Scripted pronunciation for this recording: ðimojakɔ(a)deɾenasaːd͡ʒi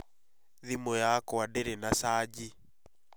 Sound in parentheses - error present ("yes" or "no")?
no